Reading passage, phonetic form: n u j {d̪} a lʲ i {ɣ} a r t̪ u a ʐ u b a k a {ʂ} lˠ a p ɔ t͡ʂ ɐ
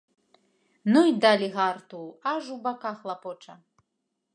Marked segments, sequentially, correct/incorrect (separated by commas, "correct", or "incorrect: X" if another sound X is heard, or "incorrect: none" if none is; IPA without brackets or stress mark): correct, correct, incorrect: x